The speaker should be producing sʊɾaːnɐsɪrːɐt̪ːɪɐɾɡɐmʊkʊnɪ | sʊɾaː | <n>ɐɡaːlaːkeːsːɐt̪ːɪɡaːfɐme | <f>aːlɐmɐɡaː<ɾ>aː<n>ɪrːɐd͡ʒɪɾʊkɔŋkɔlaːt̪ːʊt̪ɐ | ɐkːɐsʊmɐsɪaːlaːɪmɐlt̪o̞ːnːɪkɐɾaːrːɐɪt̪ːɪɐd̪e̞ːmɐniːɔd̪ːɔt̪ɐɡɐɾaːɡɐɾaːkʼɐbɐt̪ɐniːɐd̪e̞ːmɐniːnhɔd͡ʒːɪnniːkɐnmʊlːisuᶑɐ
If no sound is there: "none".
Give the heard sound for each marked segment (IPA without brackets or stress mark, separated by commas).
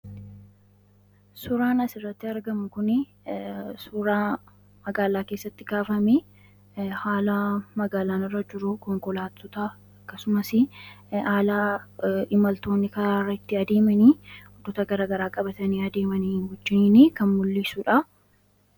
m, h, l, n